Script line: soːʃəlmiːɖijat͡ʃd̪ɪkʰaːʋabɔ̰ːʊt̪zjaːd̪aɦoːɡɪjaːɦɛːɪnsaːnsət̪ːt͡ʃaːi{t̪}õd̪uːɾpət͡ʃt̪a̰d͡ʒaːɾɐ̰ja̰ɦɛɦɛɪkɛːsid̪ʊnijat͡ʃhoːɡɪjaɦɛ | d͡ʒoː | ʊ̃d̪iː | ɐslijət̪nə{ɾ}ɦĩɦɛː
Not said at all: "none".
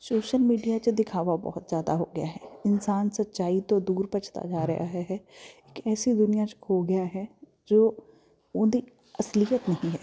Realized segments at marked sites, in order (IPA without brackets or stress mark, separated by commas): t̪, none